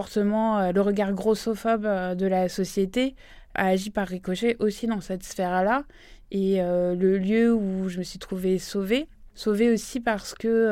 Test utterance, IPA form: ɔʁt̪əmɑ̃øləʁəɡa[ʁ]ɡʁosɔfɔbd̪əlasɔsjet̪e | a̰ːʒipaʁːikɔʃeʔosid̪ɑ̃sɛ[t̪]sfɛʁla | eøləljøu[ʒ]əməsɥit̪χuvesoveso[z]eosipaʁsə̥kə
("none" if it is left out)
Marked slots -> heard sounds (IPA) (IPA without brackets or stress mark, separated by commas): ʁ, t̪, ʒ, v